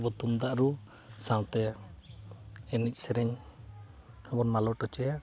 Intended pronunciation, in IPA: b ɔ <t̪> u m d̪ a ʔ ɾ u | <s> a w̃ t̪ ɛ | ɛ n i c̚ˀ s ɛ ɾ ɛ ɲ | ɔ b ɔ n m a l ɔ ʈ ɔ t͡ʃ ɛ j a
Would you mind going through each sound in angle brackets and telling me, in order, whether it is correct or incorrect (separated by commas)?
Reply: correct, correct